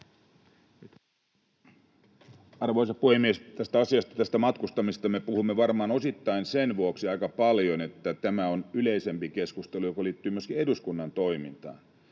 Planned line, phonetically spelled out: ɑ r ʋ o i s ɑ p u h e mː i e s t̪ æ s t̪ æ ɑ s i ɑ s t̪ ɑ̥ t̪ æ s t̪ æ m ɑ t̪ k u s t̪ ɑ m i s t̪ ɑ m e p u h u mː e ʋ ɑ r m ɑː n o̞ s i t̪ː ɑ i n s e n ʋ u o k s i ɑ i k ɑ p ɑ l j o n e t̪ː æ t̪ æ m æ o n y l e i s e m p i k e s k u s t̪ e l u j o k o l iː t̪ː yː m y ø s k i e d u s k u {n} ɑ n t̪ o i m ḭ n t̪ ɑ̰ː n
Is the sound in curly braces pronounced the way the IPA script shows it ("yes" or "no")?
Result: no